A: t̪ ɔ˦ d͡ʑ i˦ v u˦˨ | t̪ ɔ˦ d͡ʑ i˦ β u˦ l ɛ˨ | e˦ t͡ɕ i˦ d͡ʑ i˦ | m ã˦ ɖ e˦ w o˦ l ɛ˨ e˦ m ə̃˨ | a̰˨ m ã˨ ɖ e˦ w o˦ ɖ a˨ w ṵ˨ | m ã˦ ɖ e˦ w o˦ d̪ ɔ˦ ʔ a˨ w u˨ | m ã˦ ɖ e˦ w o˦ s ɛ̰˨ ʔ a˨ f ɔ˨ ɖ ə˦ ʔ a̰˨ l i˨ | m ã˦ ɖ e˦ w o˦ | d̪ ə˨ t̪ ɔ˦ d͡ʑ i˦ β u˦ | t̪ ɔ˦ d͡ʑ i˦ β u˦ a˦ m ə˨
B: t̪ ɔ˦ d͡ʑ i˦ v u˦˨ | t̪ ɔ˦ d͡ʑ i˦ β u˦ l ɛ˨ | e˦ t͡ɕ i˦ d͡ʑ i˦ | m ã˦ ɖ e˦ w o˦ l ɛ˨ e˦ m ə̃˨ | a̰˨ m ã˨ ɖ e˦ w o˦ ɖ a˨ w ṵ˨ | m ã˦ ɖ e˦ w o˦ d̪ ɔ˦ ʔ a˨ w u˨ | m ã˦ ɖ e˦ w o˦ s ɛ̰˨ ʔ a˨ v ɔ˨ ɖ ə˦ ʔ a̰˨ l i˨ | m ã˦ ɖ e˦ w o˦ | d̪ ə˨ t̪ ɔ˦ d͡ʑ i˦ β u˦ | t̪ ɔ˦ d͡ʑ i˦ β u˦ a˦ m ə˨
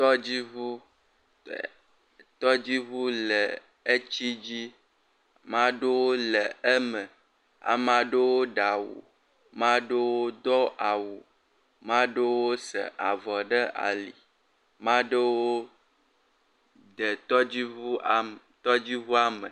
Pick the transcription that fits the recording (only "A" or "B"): B